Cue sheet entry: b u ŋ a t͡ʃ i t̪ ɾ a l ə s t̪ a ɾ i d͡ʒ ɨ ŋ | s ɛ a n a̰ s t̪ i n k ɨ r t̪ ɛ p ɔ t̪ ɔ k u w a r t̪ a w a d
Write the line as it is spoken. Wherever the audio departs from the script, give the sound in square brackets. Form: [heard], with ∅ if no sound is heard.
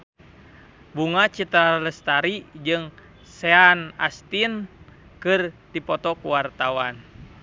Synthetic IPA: b u ŋ a t͡ʃ i t̪ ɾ a l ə s t̪ a ɾ i d͡ʒ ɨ ŋ | s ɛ a n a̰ s t̪ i n k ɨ r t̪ [i] p ɔ t̪ ɔ k u w a r t̪ a w a [n]